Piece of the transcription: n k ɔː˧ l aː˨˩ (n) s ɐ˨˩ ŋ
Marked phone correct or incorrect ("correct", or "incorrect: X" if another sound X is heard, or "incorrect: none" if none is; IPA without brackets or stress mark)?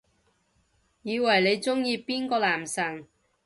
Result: incorrect: m